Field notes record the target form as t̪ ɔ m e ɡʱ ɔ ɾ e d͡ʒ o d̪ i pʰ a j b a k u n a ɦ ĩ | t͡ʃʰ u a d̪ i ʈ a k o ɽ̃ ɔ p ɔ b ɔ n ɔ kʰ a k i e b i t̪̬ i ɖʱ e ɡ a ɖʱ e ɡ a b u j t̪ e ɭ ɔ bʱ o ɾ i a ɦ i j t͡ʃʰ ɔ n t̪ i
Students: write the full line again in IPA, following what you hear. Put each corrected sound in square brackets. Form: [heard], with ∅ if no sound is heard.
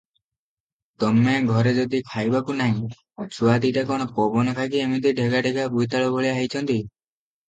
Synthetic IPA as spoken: t̪ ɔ m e ɡʱ ɔ ɾ e d͡ʒ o d̪ i [kʰ] a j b a k u n a ɦ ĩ | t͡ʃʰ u a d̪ i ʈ a k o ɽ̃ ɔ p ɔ b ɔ n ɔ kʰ a k i e [m] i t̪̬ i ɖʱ e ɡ a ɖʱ e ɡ a b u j t̪ [a] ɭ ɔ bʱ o [ɭ] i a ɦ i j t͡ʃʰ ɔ n t̪ i